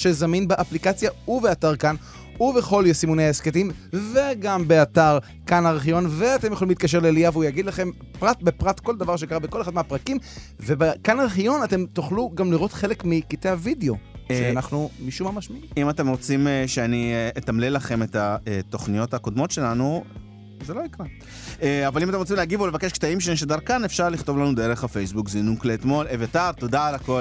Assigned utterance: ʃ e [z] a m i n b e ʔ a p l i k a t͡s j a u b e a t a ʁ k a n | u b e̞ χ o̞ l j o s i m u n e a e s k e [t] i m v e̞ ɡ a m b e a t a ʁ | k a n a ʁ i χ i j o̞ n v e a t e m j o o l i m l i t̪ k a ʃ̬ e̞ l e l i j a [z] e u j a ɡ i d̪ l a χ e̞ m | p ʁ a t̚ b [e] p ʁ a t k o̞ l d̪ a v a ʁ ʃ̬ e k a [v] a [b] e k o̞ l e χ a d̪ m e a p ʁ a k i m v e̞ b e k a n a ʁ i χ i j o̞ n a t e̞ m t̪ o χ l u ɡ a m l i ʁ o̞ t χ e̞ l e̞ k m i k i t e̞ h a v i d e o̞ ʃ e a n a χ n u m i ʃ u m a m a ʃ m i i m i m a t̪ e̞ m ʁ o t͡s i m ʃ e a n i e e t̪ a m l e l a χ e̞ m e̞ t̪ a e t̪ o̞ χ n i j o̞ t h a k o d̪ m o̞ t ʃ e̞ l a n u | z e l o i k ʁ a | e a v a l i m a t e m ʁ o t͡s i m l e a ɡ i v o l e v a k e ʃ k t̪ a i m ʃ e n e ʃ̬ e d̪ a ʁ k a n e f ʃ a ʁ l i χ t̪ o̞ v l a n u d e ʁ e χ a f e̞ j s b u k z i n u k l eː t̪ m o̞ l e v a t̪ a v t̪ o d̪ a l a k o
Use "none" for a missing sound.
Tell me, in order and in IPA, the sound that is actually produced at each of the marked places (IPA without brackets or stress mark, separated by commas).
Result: z, t, v, e, ʁ, b